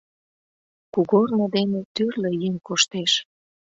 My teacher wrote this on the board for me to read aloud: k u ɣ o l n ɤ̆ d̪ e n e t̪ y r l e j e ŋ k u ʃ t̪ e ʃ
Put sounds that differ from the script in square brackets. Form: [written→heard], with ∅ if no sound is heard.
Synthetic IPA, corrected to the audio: k u ɣ o [l→r] n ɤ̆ d̪ e n e t̪ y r l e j e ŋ k [u→o] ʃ t̪ e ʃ